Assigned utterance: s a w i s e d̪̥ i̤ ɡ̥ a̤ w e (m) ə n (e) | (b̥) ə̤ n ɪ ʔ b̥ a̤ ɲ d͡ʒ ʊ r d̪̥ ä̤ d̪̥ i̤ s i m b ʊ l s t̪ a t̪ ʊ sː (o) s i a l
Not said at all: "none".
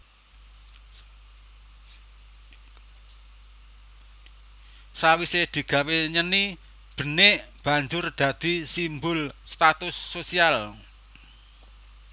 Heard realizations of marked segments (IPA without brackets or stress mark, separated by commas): ɲ, i, b̥, o